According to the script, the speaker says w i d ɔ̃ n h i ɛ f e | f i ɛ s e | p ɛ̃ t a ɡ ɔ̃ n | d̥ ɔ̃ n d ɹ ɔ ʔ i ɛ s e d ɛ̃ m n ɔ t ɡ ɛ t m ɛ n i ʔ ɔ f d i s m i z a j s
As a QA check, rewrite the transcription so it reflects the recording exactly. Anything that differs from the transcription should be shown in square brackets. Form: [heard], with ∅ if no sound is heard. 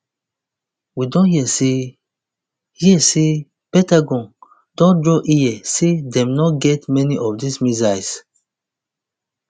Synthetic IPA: w i d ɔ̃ n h i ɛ [s] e | [h] i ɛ s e | p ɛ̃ t a ɡ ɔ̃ n | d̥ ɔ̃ n d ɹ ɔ ʔ i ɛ s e d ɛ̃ m n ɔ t ɡ ɛ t m ɛ n i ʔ ɔ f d i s m i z a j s